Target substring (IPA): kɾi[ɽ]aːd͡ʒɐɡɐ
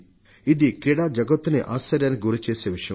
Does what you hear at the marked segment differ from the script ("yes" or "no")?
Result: no